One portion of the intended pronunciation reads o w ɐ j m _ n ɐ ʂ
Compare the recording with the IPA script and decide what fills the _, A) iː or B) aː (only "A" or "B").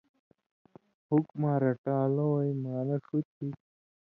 B